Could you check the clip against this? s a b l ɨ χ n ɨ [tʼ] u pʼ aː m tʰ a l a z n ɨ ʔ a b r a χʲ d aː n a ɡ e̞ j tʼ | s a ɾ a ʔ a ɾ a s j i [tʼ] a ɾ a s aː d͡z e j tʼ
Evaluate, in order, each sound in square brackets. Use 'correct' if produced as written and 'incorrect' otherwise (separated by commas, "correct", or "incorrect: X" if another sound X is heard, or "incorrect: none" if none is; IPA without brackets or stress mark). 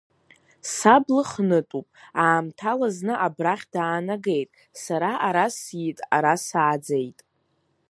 correct, correct